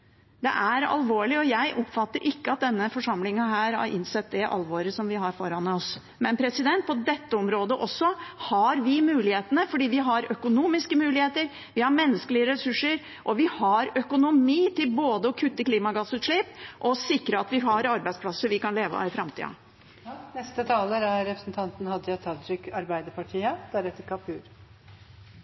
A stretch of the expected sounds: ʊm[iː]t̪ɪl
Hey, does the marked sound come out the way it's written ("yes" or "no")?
yes